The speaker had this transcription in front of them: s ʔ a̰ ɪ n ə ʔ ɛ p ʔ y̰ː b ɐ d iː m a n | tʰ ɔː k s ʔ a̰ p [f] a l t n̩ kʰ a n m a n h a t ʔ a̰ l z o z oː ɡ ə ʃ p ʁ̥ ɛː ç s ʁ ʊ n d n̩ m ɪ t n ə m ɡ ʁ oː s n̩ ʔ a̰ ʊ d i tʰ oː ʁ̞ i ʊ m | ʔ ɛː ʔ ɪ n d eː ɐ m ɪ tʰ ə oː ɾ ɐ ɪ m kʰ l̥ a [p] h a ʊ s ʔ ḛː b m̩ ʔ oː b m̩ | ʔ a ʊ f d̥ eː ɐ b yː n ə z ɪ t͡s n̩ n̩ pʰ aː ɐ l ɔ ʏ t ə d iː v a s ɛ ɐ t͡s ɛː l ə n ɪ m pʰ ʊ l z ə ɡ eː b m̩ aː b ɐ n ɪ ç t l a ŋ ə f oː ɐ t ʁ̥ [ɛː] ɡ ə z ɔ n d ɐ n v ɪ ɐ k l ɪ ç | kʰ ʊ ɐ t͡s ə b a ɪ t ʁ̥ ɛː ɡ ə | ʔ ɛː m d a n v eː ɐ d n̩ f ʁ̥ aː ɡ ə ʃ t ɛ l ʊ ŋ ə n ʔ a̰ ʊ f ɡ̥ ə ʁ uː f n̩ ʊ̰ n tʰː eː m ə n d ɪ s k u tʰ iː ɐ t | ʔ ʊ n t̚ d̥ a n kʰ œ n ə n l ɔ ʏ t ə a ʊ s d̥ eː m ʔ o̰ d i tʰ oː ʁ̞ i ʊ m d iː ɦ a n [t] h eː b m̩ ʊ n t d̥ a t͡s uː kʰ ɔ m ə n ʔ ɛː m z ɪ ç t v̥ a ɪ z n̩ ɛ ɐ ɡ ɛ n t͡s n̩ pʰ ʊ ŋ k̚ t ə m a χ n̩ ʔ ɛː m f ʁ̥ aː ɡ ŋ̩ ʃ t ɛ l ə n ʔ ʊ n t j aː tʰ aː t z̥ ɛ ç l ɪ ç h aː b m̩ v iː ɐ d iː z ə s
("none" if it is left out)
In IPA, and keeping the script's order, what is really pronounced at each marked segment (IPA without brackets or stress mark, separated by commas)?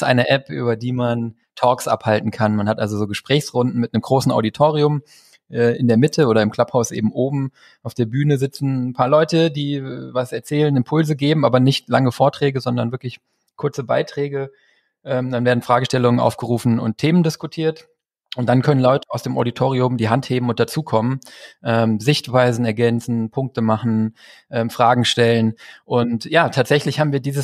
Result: h, p, ɛː, t